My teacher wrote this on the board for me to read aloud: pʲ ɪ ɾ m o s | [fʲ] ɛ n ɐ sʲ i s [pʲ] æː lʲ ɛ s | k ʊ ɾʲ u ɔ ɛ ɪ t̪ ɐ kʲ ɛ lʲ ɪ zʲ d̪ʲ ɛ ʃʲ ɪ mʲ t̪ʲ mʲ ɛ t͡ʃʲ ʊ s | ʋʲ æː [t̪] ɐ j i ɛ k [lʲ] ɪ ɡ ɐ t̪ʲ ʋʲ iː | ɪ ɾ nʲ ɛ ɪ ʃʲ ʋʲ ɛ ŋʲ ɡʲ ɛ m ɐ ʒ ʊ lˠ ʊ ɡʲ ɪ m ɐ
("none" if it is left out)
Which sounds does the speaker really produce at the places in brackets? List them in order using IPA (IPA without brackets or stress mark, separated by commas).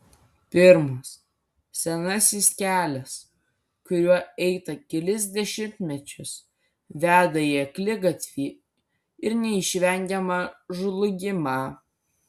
sʲ, kʲ, d̪, lʲ